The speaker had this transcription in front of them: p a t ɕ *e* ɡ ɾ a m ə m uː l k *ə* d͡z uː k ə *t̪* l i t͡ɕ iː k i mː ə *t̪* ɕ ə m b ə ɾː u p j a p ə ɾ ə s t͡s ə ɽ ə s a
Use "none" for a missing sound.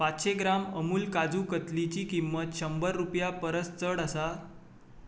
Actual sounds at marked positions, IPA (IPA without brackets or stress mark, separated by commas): e, a, t̪, t̪